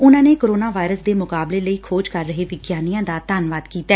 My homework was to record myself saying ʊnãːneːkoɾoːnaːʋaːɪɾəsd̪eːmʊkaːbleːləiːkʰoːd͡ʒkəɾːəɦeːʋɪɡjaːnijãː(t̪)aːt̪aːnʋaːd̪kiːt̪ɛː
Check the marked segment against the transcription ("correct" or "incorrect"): incorrect